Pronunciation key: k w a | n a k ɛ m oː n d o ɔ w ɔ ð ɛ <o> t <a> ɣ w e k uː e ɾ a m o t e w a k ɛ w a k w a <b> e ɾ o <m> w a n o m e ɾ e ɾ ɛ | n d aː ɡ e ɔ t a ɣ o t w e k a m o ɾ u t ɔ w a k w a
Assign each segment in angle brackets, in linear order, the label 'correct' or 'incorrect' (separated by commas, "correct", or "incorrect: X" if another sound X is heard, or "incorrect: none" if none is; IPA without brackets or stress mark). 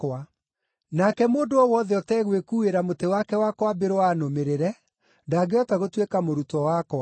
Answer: incorrect: ɔ, incorrect: ɛ, correct, incorrect: none